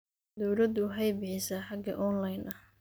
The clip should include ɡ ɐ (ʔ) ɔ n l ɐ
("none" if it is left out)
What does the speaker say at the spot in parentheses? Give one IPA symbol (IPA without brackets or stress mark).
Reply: ʔ